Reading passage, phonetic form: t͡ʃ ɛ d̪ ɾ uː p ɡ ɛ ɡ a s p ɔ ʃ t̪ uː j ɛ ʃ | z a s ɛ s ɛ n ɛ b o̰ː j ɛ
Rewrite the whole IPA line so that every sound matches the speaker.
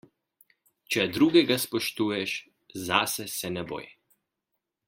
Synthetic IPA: t͡ʃ ɛ d̪ ɾ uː ɡ ɛ ɡ a s p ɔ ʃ t̪ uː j ɛ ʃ | z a s ɛ s ɛ n ɛ b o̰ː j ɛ